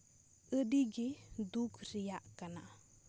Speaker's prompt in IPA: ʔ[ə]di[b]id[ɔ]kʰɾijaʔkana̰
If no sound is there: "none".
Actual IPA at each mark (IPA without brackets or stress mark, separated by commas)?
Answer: ə, ɡ, u